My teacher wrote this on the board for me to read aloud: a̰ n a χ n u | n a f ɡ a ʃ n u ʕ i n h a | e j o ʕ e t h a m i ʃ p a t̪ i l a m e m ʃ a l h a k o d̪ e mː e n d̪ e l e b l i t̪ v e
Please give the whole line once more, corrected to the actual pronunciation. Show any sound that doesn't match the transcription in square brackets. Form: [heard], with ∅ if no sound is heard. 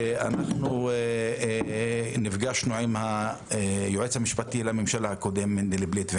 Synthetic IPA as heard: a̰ n a χ n u | n [i] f ɡ a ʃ n u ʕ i [m] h a | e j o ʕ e [t͡s] h a m i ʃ p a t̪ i l a m e m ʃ a l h a k o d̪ e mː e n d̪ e l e b l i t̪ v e